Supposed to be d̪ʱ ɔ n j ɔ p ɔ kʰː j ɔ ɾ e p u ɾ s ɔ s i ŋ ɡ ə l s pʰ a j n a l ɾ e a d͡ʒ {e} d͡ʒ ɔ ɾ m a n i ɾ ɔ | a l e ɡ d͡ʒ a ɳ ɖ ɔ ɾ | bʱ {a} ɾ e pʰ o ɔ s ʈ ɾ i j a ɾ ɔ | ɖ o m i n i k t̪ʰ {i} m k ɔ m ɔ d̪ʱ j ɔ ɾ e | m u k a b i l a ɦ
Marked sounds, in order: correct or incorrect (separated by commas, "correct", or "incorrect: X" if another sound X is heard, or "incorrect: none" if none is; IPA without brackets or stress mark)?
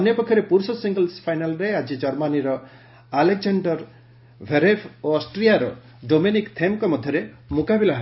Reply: incorrect: i, incorrect: e, incorrect: e